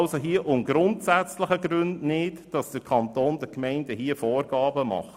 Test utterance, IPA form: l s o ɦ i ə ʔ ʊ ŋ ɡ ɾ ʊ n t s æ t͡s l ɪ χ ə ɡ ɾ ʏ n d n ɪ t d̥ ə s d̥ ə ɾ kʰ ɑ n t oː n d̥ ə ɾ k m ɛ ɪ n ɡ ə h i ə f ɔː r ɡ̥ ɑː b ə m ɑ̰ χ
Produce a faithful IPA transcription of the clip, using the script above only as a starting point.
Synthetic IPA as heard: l s o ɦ i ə ʔ ʊ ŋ ɡ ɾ ʊ n t s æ t͡s l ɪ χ ə ɡ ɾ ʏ n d n ɪ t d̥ ɑ s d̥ ə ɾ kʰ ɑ n t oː n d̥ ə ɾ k m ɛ ɪ n d ə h i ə f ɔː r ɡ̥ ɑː b ə m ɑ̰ χ